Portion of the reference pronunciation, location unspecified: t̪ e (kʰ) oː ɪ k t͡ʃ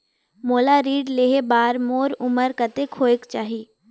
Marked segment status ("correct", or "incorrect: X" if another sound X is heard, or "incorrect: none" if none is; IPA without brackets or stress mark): correct